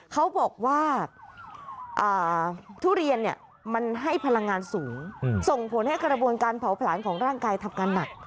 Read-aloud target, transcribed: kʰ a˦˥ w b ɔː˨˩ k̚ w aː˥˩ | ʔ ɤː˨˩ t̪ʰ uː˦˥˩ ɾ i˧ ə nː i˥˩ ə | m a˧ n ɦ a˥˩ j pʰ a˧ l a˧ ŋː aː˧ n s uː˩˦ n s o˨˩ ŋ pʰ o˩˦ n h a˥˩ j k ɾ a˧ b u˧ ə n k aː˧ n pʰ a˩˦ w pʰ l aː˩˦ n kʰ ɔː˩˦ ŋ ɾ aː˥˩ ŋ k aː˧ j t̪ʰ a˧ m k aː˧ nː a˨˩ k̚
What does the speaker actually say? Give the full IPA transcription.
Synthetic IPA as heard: kʰ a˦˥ w b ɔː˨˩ k̚ w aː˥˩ | ʔ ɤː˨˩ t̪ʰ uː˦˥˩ ɾ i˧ ə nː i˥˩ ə | m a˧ n ɦ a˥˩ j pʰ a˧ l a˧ ŋː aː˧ n s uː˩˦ ŋ s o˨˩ ŋ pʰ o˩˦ n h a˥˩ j k ɾ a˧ b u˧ ə n k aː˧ n pʰ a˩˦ w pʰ l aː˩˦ n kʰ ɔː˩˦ ŋ ɾ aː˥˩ ŋ k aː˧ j t̪ʰ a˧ m k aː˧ nː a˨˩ k̚